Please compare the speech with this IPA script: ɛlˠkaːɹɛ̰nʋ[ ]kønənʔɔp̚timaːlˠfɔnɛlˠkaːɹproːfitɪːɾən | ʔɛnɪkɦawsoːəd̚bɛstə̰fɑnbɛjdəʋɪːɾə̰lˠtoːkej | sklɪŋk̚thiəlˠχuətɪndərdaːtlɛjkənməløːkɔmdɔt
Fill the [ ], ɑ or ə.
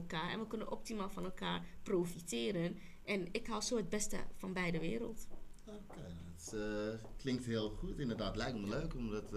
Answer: ə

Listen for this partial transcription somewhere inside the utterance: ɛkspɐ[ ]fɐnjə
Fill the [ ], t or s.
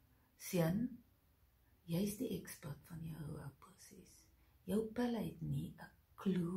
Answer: t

